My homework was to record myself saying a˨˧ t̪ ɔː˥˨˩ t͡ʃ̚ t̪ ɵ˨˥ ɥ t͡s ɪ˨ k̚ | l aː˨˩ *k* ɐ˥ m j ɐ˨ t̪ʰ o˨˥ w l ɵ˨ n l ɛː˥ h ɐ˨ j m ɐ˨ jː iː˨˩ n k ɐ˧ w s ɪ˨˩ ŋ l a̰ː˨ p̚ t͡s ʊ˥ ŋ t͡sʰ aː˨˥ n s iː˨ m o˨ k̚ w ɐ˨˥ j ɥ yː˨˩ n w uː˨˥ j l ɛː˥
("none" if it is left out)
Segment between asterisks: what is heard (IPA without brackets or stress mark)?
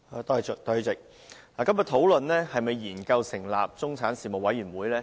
k